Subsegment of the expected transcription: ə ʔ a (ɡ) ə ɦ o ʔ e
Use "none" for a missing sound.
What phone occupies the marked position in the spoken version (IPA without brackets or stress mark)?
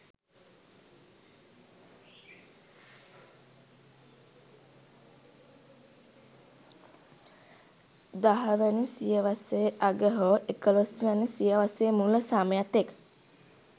ɡ